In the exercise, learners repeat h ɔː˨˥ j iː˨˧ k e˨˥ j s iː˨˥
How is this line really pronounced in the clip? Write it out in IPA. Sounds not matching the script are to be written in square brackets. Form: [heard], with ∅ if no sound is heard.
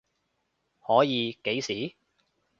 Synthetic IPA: h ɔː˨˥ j iː˨˧ k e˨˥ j s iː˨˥